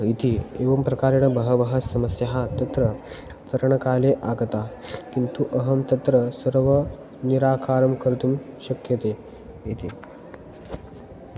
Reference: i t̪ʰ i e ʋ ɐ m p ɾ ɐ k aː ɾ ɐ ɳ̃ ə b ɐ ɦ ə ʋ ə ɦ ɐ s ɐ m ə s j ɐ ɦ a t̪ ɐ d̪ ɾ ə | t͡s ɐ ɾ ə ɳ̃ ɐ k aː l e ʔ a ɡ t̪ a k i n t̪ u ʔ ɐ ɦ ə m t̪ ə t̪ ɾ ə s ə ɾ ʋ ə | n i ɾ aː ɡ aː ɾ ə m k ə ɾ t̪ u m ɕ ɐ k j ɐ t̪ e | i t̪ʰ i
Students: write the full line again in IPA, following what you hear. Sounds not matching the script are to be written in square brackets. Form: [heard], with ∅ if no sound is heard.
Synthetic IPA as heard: i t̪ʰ i e ʋ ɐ m p ɾ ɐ k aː ɾ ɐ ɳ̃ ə b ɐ ɦ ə ʋ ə ɦ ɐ s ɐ m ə s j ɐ ɦ a t̪ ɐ [t̪] ɾ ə | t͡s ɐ ɾ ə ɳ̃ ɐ k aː l e ʔ a ɡ t̪ a k i n t̪ u ʔ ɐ ɦ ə m t̪ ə t̪ ɾ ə s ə ɾ ʋ ə | n i ɾ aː [k] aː ɾ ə m k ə ɾ t̪ u m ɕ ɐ k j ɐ t̪ e | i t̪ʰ i